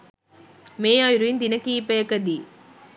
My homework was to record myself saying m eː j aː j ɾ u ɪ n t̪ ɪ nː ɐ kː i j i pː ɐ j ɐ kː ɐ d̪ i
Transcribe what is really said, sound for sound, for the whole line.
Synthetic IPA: m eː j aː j ɾ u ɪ n d̪ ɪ n ɐ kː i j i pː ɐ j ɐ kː ɐ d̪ i